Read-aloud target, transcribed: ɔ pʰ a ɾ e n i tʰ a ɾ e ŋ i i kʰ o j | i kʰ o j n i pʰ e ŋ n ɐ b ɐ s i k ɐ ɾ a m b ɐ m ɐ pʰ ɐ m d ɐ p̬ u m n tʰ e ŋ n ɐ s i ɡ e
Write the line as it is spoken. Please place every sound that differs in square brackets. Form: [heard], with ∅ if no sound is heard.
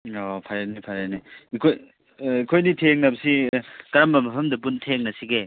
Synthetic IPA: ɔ pʰ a ɾ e n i [pʰ] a ɾ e [n] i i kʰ o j | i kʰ o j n i [tʰ] e ŋ n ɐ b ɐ s i k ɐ ɾ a m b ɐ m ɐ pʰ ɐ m d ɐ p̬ u [∅] n tʰ e ŋ n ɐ s i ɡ e